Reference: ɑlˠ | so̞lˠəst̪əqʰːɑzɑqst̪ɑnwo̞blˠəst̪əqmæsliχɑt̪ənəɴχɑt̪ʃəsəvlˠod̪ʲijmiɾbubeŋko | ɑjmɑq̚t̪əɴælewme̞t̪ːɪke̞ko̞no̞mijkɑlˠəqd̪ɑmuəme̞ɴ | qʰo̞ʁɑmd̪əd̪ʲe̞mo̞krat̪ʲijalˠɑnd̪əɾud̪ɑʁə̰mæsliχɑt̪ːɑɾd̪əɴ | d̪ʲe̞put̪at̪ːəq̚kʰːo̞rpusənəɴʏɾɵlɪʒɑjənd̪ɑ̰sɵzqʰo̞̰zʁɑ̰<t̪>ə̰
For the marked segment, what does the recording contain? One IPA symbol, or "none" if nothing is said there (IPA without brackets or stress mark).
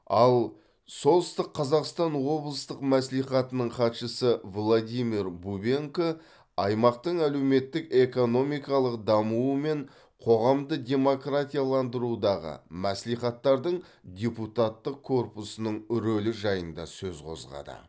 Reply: d̪